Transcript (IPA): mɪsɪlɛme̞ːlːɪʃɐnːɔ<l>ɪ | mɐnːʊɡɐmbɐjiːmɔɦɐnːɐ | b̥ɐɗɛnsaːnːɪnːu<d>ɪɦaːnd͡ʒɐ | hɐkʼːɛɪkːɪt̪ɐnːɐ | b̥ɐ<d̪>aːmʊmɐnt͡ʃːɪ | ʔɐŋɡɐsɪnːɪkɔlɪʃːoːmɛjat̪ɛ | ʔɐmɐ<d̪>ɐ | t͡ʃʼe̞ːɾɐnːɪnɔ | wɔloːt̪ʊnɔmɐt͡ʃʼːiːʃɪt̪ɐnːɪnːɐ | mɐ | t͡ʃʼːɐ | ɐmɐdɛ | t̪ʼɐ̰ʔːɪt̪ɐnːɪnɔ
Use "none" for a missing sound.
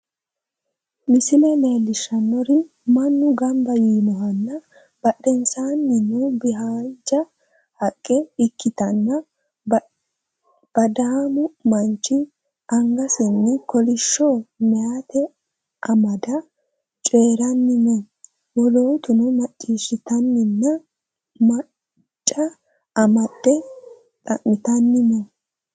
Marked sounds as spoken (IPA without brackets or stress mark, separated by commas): ɾ, b, d̪, d̪